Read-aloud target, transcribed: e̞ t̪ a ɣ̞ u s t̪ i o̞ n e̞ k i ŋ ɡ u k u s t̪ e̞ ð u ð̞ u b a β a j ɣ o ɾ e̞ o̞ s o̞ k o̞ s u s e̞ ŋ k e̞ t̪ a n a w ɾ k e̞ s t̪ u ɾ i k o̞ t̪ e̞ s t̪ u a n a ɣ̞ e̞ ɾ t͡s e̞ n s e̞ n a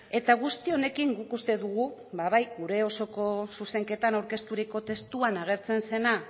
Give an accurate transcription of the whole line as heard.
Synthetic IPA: e̞ t̪ a ɣ̞ u s t̪ i o̞ n e̞ k i ŋ ɡ u k u s t̪ e̞ ð u ɣ̞ u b a β a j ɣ u ɾ e̞ o̞ s o̞ k o̞ s u s e̞ ŋ k e̞ t̪ a n a w ɾ k e̞ s t̪ u ɾ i k o̞ t̪ e̞ s t̪ u a n a ɣ̞ e̞ ɾ t͡s e̞ n s e̞ n a